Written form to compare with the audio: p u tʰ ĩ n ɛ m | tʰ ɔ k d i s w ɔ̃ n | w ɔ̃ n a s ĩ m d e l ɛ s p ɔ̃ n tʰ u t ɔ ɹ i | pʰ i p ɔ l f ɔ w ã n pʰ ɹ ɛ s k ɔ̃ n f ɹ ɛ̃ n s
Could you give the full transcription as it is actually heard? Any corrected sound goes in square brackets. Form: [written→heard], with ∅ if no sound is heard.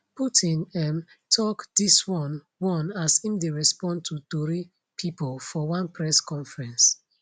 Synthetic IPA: p u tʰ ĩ n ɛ m | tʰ ɔ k d i s w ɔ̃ n | w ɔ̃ n a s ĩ m d e [l→ɹ] ɛ s p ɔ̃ n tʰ u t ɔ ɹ i | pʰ i p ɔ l f ɔ w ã n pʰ ɹ ɛ s k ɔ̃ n f ɹ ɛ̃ n s